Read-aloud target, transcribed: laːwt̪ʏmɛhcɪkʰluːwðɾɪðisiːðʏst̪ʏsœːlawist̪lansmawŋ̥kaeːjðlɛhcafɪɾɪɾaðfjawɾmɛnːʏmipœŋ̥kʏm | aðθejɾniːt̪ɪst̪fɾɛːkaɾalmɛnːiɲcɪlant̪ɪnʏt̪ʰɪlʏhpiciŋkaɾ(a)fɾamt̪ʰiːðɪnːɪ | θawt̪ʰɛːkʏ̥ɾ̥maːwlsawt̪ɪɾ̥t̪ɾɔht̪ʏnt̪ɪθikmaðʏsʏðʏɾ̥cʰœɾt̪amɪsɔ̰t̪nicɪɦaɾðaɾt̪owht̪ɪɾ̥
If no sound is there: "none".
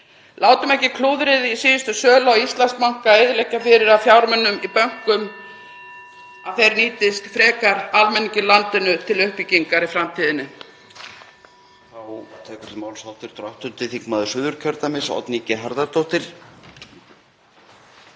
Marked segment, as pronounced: i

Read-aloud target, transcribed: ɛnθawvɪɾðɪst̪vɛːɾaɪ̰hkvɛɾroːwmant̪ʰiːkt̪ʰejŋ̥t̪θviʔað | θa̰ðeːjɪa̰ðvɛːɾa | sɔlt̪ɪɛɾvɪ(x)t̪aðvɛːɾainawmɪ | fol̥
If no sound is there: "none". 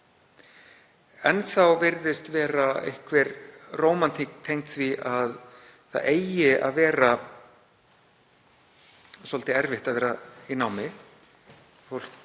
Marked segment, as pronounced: h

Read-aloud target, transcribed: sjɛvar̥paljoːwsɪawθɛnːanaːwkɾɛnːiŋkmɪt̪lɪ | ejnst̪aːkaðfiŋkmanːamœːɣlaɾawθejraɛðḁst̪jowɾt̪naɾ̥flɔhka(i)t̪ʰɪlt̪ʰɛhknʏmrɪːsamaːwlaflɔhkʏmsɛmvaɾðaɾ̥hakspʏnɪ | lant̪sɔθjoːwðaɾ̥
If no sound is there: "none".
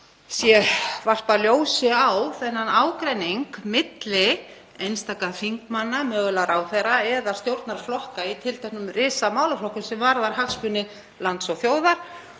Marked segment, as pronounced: i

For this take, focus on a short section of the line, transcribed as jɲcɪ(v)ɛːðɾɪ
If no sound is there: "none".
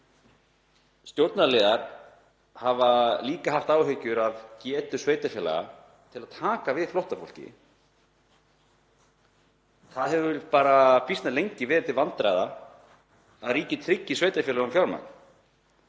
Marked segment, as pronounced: v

